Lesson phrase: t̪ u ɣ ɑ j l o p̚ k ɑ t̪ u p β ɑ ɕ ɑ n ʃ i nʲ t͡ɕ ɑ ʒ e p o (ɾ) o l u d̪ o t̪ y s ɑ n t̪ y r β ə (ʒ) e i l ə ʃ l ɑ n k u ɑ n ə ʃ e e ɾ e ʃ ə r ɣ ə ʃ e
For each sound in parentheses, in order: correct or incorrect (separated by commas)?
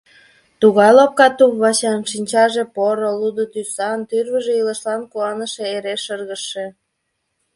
correct, correct